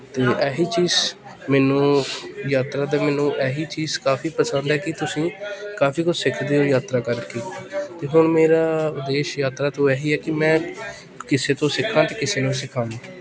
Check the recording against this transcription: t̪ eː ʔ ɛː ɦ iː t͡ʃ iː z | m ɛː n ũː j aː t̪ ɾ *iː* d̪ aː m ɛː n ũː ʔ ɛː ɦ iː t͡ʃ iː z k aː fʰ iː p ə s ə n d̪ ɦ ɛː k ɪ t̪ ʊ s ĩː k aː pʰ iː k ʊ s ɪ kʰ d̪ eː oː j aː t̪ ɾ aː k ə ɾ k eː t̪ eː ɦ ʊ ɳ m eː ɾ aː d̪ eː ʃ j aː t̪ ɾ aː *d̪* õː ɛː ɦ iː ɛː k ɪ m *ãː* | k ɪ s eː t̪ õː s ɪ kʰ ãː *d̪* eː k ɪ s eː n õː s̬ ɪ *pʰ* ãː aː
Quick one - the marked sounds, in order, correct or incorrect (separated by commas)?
incorrect, incorrect, incorrect, incorrect, incorrect